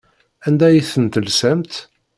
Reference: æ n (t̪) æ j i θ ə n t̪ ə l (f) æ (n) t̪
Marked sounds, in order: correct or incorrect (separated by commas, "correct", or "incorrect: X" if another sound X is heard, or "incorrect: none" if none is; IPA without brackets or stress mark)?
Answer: incorrect: d̪, incorrect: s, incorrect: m